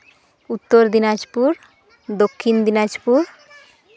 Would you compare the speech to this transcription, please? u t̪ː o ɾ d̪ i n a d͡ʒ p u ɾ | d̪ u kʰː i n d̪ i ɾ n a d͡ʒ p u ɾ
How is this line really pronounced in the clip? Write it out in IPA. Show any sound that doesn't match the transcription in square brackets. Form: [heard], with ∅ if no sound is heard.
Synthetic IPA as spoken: u t̪ː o ɾ d̪ i n a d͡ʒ p u ɾ | d̪ [o] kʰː i n d̪ i [∅] n a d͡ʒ p u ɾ

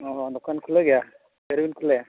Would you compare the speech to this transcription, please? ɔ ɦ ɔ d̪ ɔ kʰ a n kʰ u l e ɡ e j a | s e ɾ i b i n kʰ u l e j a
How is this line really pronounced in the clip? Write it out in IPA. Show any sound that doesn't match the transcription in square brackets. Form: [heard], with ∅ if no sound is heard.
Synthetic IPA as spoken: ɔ ɦ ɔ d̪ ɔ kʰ a n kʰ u l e ɡ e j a | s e ɾ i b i n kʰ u l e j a

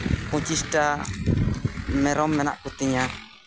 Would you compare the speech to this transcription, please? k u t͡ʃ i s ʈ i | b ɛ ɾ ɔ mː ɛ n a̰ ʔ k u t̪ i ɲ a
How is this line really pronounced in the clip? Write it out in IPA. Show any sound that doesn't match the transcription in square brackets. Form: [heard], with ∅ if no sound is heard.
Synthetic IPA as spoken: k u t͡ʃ i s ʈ [a] | [m] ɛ ɾ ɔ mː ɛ n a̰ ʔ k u t̪ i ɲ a

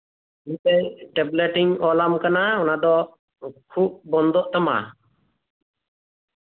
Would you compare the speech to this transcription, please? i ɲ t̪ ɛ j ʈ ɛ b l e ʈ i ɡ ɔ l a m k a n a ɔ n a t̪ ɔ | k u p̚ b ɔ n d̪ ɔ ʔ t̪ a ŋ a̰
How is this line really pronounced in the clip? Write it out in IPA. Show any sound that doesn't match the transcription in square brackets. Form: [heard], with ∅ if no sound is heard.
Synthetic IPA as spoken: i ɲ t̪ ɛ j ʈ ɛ b l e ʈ i [ŋ] ɔ l a m k a n a ɔ n a [d̪] ɔ | [kʰ] u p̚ b ɔ n d̪ ɔ ʔ t̪ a [m] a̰

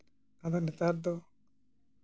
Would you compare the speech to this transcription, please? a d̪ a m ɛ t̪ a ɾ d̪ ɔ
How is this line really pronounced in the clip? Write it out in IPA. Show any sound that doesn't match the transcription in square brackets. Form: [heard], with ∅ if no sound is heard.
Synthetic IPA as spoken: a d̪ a [n] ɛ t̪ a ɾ d̪ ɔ

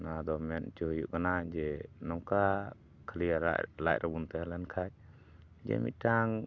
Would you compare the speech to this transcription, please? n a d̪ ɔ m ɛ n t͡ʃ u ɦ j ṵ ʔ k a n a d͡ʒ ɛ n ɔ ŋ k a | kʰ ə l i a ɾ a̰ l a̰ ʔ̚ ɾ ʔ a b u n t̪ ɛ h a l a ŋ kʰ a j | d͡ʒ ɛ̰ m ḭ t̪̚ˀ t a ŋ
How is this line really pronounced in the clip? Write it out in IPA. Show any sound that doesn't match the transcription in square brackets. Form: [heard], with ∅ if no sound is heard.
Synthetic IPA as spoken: n a d̪ ɔ m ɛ n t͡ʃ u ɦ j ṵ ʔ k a n a d͡ʒ ɛ n ɔ ŋ k a | kʰ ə l i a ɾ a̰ l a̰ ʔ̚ ɾ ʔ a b u n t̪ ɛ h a l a [n] kʰ a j | d͡ʒ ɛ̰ m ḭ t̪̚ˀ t a ŋ

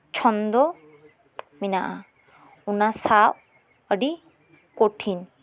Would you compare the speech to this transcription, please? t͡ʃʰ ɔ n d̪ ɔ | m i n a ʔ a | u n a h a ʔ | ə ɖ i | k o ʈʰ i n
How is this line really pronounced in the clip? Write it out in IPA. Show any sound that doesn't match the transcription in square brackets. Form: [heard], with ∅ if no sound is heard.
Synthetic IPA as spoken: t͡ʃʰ ɔ n d̪ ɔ | m i n a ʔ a | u n a [s] a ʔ | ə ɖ i | k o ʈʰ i n

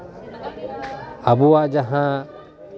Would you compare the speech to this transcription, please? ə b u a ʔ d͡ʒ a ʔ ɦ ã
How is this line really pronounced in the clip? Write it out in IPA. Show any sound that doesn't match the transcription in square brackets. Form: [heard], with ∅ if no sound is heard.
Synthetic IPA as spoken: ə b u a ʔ d͡ʒ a [∅] ɦ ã

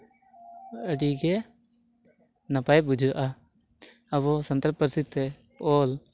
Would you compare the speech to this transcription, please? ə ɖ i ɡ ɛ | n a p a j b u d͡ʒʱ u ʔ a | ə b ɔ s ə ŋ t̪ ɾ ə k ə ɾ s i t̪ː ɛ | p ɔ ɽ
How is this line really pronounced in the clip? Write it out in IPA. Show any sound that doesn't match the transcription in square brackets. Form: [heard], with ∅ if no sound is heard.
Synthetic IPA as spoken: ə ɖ i ɡ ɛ | n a p a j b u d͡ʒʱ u ʔ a | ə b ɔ s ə [n] t̪ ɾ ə [p] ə ɾ s i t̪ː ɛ | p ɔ [l]

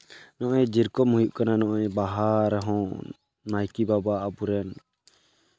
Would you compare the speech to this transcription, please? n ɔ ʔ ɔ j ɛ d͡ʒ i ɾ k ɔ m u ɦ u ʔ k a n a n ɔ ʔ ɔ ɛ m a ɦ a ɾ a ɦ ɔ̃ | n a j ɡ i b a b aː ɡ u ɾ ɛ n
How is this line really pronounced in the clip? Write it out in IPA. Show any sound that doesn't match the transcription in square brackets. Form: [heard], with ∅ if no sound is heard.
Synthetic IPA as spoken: n ɔ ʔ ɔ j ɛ d͡ʒ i ɾ k ɔ m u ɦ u ʔ k a n a n ɔ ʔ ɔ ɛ [b] a ɦ a ɾ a ɦ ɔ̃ | n a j [k] i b a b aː [b] u ɾ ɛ n

